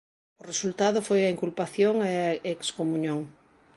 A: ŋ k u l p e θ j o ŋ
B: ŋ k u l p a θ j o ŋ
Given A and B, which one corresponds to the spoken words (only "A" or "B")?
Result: B